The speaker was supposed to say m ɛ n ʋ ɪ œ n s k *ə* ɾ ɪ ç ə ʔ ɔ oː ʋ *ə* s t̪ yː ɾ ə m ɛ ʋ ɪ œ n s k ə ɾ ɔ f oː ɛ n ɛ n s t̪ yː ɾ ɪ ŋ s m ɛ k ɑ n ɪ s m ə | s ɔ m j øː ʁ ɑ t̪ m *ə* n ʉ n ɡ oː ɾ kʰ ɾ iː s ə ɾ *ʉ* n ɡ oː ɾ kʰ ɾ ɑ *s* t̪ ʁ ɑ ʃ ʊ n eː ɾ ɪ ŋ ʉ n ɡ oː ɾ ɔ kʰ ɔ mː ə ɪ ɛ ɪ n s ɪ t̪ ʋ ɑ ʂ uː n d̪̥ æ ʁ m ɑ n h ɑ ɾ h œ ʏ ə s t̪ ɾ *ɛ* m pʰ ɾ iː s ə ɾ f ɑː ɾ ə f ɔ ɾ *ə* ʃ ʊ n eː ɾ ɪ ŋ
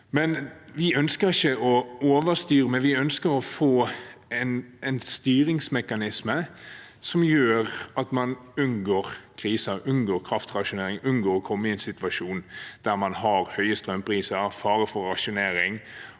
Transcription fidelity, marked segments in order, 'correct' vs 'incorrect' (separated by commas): correct, correct, incorrect, correct, incorrect, incorrect, incorrect